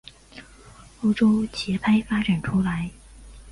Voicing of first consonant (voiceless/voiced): voiceless